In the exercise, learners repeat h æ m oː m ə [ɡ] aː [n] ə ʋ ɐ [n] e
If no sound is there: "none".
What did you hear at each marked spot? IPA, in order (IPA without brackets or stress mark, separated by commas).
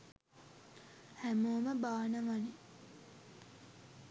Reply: b, n, n